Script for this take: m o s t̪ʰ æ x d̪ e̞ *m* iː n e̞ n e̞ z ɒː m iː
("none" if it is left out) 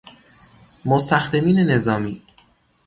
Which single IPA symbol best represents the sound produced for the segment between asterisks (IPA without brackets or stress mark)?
m